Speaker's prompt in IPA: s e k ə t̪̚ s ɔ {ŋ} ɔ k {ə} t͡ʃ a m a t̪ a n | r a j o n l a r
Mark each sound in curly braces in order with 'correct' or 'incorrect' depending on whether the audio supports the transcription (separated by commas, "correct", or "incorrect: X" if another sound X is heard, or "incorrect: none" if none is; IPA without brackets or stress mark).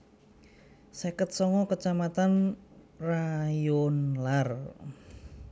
correct, correct